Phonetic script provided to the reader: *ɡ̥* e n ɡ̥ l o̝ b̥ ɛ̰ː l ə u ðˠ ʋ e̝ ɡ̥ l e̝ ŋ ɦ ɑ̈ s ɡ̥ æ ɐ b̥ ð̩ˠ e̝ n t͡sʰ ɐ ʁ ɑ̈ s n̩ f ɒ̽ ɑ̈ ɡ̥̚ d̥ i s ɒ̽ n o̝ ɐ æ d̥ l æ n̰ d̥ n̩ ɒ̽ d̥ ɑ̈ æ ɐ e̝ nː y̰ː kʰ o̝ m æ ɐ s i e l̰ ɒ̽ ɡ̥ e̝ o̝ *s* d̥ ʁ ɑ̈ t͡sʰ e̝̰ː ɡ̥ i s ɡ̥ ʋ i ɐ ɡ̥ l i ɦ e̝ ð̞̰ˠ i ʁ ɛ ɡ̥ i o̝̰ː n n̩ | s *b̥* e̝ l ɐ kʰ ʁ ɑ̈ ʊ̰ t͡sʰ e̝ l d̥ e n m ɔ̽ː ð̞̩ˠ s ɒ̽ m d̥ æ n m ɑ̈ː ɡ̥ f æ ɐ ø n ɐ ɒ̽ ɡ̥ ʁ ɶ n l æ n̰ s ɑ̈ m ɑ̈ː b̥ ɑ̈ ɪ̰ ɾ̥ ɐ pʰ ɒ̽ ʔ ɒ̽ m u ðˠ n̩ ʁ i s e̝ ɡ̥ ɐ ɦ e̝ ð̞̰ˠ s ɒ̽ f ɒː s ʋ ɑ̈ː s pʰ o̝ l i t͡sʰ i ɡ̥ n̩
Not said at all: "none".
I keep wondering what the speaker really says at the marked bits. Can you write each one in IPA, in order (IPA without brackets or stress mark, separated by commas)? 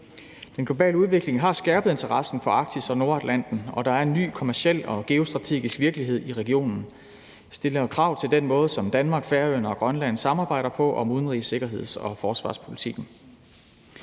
d̥, s, d̥